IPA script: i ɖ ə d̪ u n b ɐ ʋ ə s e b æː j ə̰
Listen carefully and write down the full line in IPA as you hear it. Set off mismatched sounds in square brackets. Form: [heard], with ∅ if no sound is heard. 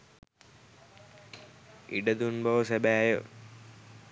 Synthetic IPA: i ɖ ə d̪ u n b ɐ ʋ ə s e b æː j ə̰